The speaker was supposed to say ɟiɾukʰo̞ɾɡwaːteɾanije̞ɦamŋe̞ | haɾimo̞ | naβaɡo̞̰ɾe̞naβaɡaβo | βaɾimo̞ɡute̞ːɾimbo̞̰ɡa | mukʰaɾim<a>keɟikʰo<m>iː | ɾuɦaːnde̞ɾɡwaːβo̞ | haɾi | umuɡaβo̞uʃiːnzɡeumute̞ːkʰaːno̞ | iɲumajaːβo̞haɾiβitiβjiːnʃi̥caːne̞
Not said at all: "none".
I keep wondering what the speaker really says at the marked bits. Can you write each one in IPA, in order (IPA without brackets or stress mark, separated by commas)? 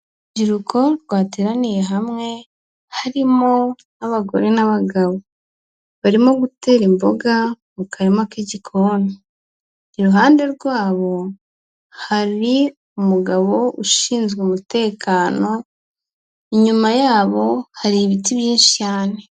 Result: a, n